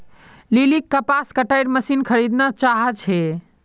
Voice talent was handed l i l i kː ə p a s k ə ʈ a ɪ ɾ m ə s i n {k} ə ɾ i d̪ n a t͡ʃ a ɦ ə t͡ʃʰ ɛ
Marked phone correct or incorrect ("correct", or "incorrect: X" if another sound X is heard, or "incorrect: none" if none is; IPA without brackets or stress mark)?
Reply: incorrect: kʰ